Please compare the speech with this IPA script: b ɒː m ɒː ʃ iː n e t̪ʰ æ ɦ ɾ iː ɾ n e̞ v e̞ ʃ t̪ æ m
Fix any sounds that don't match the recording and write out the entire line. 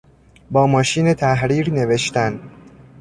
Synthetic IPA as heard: b ɒː m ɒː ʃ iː n e t̪ʰ æ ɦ ɾ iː ɾ n e̞ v e̞ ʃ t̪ æ n